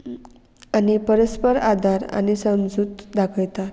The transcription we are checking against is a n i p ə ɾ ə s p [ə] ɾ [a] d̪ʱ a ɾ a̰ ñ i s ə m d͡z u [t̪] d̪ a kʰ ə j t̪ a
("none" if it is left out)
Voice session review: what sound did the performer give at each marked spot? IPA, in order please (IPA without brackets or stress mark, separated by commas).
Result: ə, a, t̪